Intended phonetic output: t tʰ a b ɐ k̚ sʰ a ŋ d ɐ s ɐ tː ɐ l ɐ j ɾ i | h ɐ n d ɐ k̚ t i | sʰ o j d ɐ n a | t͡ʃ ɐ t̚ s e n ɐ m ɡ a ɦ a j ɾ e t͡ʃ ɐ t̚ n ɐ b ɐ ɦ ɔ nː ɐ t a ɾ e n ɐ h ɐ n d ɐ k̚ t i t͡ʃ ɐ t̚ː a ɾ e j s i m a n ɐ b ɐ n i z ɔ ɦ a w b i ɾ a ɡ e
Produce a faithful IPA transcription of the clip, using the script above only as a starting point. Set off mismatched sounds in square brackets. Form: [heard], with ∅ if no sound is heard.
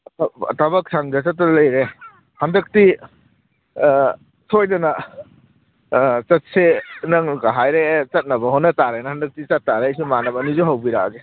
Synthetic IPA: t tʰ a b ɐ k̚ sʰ a ŋ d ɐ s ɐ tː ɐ l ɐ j ɾ [e] | h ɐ n d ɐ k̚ t i | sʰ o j d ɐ n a | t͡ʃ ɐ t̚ s e n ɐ [ŋ] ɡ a ɦ a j ɾ e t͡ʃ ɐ t̚ n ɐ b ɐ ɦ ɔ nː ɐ t a ɾ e n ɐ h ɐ n d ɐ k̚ t i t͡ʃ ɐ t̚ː a ɾ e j s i m a n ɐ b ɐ n i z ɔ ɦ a w b i ɾ a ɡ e